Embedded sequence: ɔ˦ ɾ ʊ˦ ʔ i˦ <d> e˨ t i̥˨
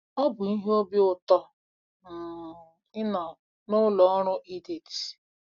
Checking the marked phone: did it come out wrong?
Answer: no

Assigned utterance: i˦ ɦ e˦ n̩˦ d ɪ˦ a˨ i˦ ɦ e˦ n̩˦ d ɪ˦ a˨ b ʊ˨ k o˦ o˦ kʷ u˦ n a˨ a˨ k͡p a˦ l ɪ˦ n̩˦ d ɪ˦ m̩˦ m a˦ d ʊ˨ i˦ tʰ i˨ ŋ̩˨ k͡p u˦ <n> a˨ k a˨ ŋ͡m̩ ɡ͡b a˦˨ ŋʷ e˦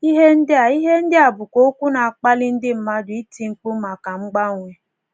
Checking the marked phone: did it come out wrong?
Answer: yes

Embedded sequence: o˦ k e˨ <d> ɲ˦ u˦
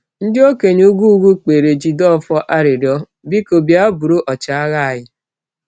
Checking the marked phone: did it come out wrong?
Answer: yes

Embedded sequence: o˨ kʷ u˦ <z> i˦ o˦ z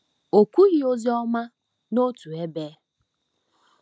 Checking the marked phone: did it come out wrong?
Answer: yes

